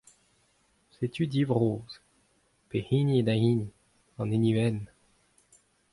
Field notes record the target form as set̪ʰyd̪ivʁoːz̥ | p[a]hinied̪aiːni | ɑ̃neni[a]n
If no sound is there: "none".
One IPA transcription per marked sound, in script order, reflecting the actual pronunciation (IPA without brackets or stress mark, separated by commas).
e, ɛ